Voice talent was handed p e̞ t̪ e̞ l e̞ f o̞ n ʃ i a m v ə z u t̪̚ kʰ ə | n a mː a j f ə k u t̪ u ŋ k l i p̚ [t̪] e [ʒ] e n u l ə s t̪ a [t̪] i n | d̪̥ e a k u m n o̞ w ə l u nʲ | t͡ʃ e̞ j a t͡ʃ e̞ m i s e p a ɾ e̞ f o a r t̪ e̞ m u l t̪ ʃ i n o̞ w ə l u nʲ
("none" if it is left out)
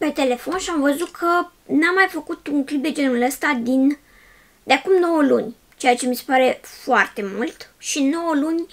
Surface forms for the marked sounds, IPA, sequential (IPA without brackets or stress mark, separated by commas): d̪, d͡ʒ, d̪